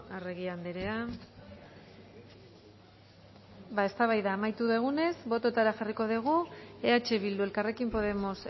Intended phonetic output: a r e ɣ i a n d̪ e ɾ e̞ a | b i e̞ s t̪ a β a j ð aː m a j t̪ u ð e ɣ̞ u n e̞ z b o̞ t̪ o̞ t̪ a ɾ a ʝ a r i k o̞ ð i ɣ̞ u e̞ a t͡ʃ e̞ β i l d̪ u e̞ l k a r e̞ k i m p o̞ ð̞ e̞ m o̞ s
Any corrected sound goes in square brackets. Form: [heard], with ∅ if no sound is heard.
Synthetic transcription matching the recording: a r e ɣ i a n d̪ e ɾ e̞ a | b [a] e̞ s t̪ a β a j ð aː m a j t̪ u ð e ɣ̞ u n e̞ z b o̞ t̪ o̞ t̪ a ɾ a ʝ a r i k o̞ ð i ɣ̞ u e̞ a t͡ʃ e̞ β i l d̪ u e̞ l k a r e̞ k i m p o̞ ð̞ e̞ m o̞ s

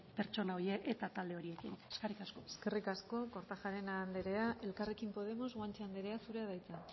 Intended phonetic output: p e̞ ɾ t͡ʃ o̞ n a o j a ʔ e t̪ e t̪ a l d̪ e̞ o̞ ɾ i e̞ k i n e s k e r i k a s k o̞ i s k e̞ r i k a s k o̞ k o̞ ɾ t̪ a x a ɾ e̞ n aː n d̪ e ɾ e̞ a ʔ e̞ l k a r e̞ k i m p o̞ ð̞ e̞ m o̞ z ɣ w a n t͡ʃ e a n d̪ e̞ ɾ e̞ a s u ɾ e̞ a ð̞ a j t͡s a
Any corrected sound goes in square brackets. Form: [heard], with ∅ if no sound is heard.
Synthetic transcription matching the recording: p e̞ ɾ t͡ʃ o̞ n a o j [e] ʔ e t̪ [a] t̪ a l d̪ e̞ o̞ ɾ i e̞ k i n e s k e r i k a s k o̞ [e] s k e̞ r i k a s k o̞ k o̞ ɾ t̪ a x a ɾ e̞ n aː n d̪ e ɾ e̞ a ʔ e̞ l k a r e̞ k i m p o̞ ð̞ e̞ m o̞ z ɣ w a n t͡ʃ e a n d̪ e̞ ɾ e̞ a s u ɾ e̞ a ð̞ a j t͡s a

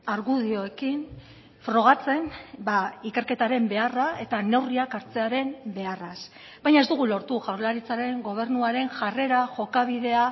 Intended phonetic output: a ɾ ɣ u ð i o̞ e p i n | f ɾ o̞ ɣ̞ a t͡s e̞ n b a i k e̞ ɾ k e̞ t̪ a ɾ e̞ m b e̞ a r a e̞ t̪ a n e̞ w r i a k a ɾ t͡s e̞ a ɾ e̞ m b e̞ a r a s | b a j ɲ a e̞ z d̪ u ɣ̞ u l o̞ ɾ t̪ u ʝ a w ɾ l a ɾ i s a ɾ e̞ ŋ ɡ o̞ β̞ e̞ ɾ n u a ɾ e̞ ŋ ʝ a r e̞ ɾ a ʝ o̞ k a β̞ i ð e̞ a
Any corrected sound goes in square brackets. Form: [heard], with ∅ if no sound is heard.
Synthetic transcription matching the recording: a ɾ ɣ u ð i o̞ e [k] i n | f ɾ o̞ ɣ̞ a t͡s e̞ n b a i k e̞ ɾ k e̞ t̪ a ɾ e̞ m b e̞ a r a e̞ t̪ a n e̞ w r i a k a ɾ t͡s e̞ a ɾ e̞ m b e̞ a r a s | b a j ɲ a e̞ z d̪ u ɣ̞ u l o̞ ɾ t̪ u ʝ a w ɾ l a ɾ i [t͡s] a ɾ e̞ ŋ ɡ o̞ β̞ e̞ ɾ n u a ɾ e̞ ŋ ʝ a r e̞ ɾ a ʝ o̞ k a β̞ i ð e̞ a

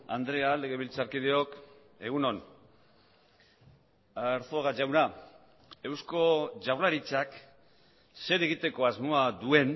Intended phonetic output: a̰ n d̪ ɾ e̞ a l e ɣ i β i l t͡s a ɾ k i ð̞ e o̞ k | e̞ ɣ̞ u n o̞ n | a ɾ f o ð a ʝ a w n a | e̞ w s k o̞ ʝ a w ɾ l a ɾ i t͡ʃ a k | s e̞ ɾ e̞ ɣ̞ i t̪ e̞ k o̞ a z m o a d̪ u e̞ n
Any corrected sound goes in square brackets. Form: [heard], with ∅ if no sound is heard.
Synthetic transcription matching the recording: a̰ n d̪ ɾ e̞ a l e ɣ [e] β i l t͡s a ɾ k i ð̞ e o̞ k | e̞ ɣ̞ u n o̞ n | a ɾ [θ] o [ɣ] a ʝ a w n a | e̞ w s k o̞ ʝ a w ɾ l a ɾ i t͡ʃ a k | s e̞ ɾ e̞ ɣ̞ i t̪ e̞ k o̞ a z m o a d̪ u e̞ n

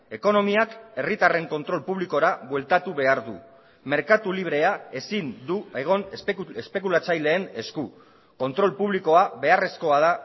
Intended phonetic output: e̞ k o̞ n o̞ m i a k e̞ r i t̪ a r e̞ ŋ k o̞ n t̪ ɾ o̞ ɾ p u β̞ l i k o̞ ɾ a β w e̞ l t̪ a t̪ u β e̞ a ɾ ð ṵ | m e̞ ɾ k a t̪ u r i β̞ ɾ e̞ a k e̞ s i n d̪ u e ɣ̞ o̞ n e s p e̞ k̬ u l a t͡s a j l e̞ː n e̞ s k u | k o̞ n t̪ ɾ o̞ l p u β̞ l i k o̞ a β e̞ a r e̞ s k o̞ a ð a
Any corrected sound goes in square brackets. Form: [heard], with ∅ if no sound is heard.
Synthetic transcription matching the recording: e̞ k o̞ n o̞ m i a k e̞ r i t̪ a r e̞ ŋ k o̞ n t̪ ɾ o̞ [l] p u β̞ l i k o̞ ɾ a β w e̞ l t̪ a t̪ u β e̞ a ɾ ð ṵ | m e̞ ɾ k a t̪ u [l] i β̞ ɾ e̞ a [∅] e̞ s i n d̪ u e ɣ̞ o̞ n e s p e̞ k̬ u l a t͡s a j l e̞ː n e̞ s k u | k o̞ n t̪ ɾ o̞ l p u β̞ l i k o̞ a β e̞ a r e̞ s k o̞ a ð a

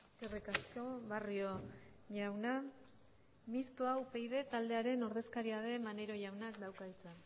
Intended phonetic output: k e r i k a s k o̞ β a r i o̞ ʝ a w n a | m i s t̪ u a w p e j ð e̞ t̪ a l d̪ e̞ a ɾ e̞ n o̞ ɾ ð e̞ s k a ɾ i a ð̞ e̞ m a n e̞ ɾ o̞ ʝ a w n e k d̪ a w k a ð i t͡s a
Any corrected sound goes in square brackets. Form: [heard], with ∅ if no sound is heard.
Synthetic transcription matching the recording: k e r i k a s k o̞ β a r i o̞ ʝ a w n a | m i s t̪ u a w p e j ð e̞ t̪ a l d̪ e̞ a ɾ e̞ n o̞ ɾ ð e̞ s k a ɾ i a ð̞ e̞ m a n e̞ ɾ o̞ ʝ a w n [a] k d̪ a w k a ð i t͡s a

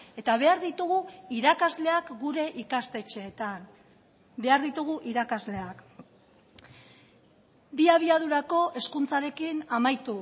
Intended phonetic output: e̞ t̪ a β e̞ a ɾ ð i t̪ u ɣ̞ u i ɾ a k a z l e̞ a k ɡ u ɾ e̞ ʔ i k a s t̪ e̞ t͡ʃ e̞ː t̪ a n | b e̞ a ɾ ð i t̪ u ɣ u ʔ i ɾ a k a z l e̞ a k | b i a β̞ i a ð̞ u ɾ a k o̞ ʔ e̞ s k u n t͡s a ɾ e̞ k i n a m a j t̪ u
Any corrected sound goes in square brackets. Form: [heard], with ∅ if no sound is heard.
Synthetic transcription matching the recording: e̞ t̪ a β e̞ a ɾ ð i t̪ u ɣ̞ u i ɾ a k a z l e̞ a k ɡ u ɾ e̞ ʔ i k a s t̪ e̞ t͡ʃ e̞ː t̪ a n | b e̞ a ɾ ð i t̪ u ɣ u ʔ i ɾ a k a z l e̞ a k | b i a β̞ i a ð̞ u ɾ a k o̞ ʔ e̞ s k u n t͡s a ɾ e̞ k i n a m a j t̪ u

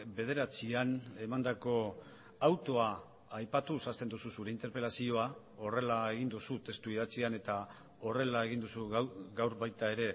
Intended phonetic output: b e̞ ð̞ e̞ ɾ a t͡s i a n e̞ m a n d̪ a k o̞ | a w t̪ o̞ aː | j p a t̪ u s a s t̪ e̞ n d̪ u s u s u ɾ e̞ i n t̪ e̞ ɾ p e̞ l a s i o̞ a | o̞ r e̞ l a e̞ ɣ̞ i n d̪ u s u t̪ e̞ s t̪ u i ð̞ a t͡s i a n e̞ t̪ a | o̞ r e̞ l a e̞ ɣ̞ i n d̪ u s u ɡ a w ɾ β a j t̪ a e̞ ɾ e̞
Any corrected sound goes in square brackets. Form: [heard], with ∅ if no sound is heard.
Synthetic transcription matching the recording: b e̞ ð̞ e̞ ɾ a t͡s i a n e̞ m a n d̪ a k o̞ | a w t̪ o̞ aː | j p a t̪ u s a s t̪ e̞ n d̪ u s u s u ɾ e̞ i n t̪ e̞ ɾ p e̞ l a s i o̞ a | o̞ r e̞ l a e̞ ɣ̞ i n d̪ u s u t̪ e̞ s t̪ u i ð̞ a t͡s i a n e̞ t̪ a | o̞ r e̞ l a e̞ ɣ̞ i n d̪ u s u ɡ a w ɾ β a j t̪ a e̞ ɾ e̞

